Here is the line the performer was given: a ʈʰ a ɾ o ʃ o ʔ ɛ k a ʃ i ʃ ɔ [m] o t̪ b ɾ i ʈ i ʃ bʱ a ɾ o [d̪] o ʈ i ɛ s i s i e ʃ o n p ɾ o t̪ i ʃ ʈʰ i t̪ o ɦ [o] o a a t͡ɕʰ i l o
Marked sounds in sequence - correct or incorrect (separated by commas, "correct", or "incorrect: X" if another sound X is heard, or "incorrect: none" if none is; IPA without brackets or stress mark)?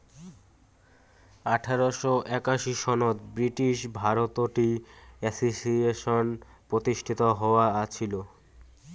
incorrect: n, incorrect: t̪, incorrect: ɔ